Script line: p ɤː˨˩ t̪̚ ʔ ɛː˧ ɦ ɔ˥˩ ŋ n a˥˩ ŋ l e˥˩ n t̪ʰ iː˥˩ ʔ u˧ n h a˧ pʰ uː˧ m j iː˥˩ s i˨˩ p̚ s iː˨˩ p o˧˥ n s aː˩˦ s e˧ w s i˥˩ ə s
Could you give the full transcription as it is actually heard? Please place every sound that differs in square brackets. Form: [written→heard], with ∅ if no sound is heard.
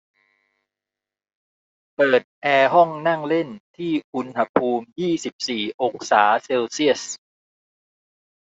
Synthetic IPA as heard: p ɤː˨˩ t̪̚ ʔ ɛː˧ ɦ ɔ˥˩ ŋ n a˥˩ ŋ l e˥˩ n t̪ʰ iː˥˩ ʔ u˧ n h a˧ pʰ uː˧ m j iː˥˩ s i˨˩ p̚ s iː˨˩ [p→ʔ] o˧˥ [n→ŋ] s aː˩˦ s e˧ w s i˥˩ ə s